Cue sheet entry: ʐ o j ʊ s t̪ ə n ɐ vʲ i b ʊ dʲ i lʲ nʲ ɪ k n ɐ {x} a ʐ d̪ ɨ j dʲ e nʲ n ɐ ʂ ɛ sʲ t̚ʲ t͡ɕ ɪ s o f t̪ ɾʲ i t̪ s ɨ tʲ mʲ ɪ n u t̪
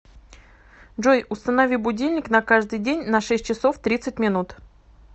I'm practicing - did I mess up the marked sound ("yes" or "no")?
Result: yes